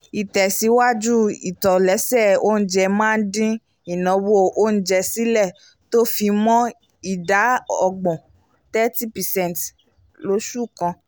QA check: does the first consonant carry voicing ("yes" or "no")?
no